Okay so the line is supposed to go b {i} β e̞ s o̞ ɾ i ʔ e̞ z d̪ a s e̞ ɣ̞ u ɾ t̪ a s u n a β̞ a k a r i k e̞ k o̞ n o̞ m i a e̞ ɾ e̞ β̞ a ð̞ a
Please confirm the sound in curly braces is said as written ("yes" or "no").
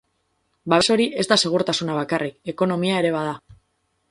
no